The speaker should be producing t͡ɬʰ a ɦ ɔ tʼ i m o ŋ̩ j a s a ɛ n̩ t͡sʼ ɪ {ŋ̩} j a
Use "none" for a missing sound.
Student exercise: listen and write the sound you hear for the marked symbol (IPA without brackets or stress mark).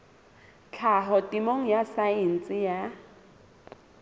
none